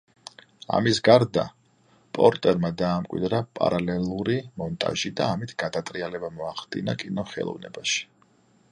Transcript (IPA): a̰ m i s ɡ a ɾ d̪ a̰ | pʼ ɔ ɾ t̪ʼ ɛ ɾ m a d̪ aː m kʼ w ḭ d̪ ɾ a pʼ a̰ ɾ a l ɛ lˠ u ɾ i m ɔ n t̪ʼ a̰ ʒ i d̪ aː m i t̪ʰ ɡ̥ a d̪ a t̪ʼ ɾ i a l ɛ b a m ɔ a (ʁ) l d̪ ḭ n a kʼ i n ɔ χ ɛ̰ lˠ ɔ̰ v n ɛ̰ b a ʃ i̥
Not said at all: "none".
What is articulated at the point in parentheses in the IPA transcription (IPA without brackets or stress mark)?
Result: χ